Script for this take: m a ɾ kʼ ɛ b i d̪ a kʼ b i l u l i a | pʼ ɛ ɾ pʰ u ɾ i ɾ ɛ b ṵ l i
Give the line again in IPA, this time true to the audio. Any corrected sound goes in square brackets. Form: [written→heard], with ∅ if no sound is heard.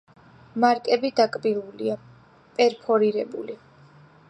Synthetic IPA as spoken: m a ɾ kʼ ɛ b i d̪ a kʼ b i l u l i a | pʼ ɛ ɾ pʰ [u→ɔ] ɾ i ɾ ɛ b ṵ l i